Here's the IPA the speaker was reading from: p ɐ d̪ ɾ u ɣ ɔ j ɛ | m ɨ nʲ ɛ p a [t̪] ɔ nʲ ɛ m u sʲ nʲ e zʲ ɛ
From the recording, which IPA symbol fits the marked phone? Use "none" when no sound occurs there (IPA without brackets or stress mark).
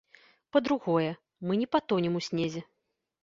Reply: t̪